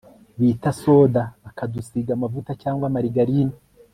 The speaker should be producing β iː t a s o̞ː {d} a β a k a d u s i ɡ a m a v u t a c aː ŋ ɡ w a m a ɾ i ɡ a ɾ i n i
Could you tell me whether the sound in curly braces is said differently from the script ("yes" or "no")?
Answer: no